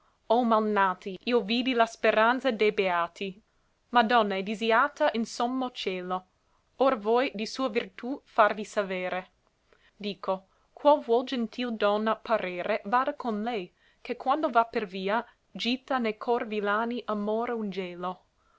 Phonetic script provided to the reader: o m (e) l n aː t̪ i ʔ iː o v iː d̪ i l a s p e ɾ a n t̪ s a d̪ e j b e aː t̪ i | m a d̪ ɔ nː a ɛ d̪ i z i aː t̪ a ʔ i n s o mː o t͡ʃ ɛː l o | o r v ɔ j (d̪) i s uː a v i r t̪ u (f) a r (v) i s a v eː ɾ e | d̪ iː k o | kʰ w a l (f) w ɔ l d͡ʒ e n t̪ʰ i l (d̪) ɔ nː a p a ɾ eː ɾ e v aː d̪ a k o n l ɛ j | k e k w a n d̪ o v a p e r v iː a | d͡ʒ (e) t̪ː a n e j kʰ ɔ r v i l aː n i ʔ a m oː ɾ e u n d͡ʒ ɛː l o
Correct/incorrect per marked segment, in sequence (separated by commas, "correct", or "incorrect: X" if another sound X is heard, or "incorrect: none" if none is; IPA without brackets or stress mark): incorrect: a, correct, correct, correct, incorrect: v, correct, incorrect: i